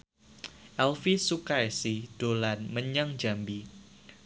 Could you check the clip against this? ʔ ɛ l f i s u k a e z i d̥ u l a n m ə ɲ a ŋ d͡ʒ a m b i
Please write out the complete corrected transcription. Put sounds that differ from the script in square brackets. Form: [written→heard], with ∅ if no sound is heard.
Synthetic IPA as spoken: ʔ ɛ l f i s u k a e [z→s] i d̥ [u→o] l a n m ə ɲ a ŋ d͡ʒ a m b i

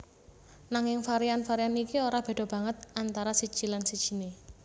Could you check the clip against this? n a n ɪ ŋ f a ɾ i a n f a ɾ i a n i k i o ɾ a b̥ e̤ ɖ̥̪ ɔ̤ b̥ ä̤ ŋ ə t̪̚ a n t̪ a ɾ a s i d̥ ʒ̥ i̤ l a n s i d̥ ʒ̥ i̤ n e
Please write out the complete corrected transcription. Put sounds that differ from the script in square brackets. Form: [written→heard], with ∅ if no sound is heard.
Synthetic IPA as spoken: n a [n→ŋ] ɪ ŋ f a ɾ i a n f a ɾ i a n i k i o ɾ a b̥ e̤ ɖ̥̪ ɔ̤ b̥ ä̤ ŋ ə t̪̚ a n t̪ a ɾ a s i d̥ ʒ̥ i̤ l a n s i d̥ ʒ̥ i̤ n e

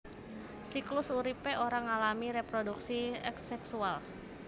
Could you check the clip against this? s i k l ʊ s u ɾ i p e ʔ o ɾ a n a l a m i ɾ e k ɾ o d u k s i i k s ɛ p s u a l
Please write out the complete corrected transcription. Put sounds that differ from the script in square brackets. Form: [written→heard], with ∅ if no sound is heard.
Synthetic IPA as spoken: s i k l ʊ s u ɾ i p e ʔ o ɾ a [n→ŋ] a l a m i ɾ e [k→p] ɾ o d u k s i [i→ɛ] k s ɛ [p→k] s u a l

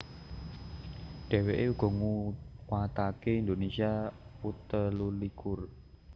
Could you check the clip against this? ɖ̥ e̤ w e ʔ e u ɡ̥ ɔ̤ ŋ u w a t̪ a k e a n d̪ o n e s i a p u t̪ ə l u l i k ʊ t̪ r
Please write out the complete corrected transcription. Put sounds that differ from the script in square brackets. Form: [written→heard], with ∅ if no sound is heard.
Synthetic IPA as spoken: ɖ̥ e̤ w e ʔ e u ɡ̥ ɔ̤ ŋ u w a t̪ a k e [a→i] n d̪ o n e s i a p u t̪ ə l u l i k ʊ [t̪→∅] r

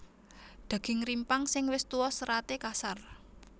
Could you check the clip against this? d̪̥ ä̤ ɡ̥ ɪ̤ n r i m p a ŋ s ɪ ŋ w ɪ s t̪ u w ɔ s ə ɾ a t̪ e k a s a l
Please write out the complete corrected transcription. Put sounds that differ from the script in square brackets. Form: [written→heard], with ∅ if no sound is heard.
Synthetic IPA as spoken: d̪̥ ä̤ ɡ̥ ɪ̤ [n→ŋ] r i m p a ŋ s ɪ ŋ w ɪ s t̪ u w ɔ s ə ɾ a t̪ e k a s a [l→r]

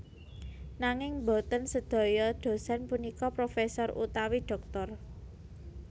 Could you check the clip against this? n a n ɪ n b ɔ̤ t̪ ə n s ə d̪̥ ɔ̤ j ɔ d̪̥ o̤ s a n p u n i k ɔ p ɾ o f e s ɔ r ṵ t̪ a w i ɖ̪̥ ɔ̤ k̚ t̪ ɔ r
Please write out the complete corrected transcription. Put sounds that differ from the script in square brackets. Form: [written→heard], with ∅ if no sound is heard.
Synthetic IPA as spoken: n a [n→ŋ] ɪ [n→ŋ] b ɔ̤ t̪ ə n s ə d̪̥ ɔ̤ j ɔ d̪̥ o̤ s a n p u n i k ɔ p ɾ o f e s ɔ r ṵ t̪ a w i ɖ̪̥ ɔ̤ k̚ t̪ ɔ r

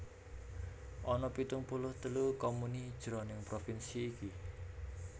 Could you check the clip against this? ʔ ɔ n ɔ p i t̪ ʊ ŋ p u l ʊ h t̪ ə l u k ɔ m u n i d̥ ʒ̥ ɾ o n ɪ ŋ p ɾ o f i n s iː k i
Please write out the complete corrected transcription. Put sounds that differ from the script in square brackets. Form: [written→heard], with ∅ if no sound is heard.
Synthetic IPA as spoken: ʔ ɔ n ɔ p i t̪ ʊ ŋ p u l ʊ h t̪ ə l u k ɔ m u n i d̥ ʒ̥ ɾ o n ɪ ŋ p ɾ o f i n s iː k i

